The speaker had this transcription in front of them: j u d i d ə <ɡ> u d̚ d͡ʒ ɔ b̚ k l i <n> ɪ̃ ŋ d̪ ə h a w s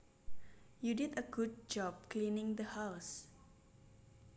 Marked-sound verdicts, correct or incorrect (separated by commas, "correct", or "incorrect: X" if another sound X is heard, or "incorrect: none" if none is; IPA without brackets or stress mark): correct, correct